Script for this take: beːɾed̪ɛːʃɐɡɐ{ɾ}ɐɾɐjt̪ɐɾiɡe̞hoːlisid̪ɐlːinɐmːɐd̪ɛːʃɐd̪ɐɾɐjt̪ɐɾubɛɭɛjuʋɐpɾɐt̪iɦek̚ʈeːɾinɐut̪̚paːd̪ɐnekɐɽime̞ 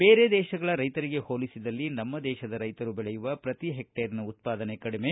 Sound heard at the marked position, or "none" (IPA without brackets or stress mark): ɭ